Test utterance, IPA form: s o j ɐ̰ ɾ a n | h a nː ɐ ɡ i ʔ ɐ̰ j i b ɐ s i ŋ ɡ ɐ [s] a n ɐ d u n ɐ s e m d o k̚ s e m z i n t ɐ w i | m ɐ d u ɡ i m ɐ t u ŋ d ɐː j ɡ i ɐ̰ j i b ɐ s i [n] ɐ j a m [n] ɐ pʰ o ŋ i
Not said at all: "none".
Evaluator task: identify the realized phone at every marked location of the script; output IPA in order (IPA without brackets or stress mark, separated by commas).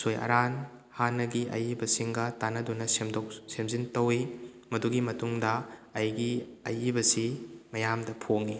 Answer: t, m, d